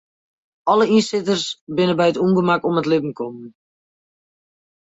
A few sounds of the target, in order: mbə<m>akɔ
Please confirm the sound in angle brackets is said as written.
yes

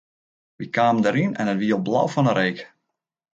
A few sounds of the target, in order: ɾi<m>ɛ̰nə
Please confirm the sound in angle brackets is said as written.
no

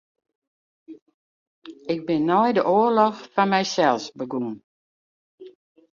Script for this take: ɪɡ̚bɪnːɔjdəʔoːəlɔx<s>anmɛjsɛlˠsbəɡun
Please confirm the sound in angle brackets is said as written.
no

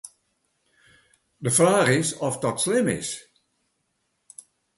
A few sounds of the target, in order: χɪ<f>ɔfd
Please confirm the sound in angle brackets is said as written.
no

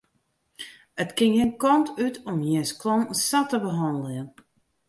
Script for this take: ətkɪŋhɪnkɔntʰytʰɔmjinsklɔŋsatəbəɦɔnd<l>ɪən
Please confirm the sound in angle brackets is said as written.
yes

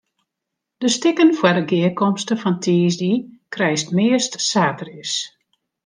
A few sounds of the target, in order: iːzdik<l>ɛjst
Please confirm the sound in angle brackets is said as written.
no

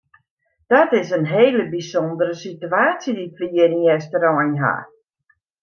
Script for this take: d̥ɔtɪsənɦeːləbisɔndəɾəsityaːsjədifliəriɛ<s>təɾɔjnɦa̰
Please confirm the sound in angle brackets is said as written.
yes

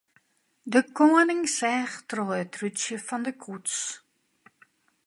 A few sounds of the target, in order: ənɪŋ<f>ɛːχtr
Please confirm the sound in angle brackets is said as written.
no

